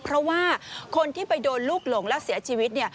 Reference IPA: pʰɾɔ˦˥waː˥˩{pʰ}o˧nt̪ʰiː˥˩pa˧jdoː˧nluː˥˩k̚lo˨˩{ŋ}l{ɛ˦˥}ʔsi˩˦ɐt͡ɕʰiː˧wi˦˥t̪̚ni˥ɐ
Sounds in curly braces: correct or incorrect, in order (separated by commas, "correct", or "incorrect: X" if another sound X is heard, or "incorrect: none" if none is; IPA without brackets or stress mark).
incorrect: kʰ, correct, correct